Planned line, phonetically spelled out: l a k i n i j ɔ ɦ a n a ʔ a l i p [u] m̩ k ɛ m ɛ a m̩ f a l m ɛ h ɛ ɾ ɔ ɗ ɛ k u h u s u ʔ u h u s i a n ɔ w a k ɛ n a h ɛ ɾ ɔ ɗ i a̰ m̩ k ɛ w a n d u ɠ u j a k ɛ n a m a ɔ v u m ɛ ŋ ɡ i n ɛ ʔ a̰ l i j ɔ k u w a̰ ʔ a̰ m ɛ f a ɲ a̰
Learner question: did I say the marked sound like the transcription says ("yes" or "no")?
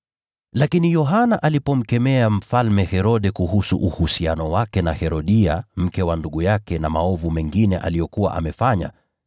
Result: no